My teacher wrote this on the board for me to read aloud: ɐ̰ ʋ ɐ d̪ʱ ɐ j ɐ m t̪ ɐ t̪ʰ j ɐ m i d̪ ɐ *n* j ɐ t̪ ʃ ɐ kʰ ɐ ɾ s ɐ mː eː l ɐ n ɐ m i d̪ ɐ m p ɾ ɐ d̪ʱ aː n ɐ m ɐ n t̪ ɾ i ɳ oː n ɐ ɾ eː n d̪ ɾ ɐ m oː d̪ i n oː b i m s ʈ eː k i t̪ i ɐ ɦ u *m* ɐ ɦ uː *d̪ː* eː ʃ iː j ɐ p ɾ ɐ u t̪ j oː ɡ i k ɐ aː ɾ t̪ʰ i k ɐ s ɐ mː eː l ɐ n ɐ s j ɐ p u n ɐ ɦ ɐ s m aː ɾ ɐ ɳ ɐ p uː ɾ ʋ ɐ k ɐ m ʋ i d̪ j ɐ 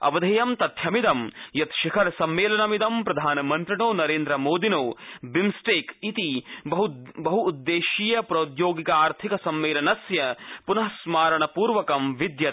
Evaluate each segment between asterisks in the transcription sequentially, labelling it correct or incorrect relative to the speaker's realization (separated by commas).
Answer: incorrect, incorrect, correct